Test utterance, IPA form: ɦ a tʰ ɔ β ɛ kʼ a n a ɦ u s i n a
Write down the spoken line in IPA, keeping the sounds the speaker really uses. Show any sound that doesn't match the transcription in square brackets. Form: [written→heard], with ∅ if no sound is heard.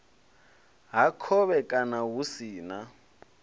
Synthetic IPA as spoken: ɦ a [tʰ→kʰ] ɔ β ɛ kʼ a n a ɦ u s [i→iː] n a